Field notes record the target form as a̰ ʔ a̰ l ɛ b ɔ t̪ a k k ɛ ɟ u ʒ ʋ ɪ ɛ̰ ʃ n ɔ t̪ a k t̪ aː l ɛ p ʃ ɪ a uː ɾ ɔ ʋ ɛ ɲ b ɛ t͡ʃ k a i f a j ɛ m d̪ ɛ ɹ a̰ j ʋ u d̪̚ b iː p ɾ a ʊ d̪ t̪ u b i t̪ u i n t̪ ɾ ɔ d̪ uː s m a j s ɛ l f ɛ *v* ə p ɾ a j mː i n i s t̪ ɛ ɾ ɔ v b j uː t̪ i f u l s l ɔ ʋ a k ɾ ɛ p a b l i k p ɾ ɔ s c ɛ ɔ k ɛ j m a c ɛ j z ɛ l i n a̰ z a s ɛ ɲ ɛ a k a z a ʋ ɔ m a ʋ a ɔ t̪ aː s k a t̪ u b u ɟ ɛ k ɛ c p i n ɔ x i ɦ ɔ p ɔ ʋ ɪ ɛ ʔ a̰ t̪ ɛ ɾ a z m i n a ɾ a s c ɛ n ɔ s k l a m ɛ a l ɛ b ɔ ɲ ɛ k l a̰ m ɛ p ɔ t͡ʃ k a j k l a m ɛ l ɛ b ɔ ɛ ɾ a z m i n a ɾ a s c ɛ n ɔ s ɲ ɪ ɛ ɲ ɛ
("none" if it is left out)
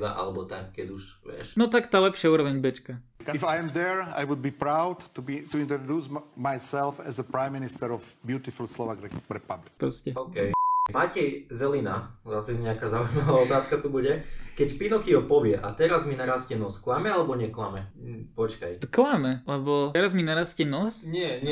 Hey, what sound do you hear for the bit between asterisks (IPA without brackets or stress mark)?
z